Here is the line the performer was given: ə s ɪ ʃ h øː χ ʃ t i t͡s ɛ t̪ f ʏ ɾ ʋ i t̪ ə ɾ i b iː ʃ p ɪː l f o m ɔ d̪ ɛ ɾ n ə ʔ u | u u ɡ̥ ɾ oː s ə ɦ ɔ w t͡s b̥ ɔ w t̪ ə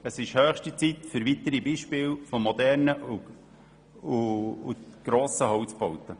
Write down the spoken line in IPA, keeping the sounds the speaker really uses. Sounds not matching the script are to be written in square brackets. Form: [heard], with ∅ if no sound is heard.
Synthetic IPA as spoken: ə s ɪ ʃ h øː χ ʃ t i t͡s [i] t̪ f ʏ ɾ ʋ i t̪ ə ɾ i b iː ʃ p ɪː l f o m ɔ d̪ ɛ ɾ n ə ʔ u | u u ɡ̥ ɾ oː s ə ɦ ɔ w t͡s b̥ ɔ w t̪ ə

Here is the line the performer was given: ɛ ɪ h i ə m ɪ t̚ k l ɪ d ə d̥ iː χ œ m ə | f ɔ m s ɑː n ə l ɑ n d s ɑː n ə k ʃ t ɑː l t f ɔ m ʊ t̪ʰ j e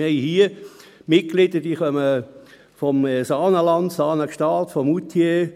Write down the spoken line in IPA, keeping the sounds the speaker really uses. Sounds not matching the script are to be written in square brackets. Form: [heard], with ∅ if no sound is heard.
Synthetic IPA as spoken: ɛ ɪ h i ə m ɪ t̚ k l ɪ d ə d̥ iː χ œ m ə | f ɔ m s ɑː n ə l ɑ n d s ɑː n ə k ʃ t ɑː l t f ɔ m [u] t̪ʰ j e

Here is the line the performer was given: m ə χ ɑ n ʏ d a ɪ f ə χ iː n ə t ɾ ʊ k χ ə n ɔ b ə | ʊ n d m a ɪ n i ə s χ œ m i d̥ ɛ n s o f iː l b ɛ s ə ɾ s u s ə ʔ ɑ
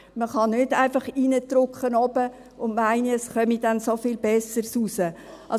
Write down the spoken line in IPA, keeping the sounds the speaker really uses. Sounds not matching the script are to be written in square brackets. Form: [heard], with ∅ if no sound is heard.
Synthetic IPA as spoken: m ə χ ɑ n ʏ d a ɪ f [ɑ] χ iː n ə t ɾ ʊ k χ ə n ɔ b ə | ʊ n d m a ɪ n i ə s χ œ m i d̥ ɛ n s o f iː l b ɛ s ə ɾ s u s ə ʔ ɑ

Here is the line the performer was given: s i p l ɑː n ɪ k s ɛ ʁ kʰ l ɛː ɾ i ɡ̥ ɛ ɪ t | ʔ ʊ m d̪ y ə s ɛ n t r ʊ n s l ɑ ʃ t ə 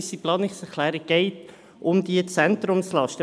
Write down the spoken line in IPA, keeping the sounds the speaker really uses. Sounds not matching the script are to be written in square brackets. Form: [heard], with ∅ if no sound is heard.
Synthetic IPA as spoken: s i p l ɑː n ɪ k s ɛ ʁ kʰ l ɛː ɾ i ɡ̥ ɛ ɪ t | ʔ ʊ m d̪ [i] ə [t͡s] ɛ n t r ʊ [m] s l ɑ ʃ t ə

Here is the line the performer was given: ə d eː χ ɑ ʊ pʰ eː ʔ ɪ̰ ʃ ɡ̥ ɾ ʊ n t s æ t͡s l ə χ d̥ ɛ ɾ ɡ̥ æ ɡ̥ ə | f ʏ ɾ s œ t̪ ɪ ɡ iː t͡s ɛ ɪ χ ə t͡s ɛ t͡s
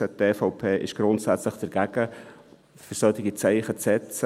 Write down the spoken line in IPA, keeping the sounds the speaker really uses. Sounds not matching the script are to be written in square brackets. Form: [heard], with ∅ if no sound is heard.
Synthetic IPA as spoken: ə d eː [f] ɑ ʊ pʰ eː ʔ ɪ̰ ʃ ɡ̥ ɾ ʊ n t s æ t͡s l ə χ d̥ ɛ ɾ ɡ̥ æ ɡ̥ ə | f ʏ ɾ s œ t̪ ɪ ɡ [i] t͡s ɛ ɪ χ ə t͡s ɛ t͡s

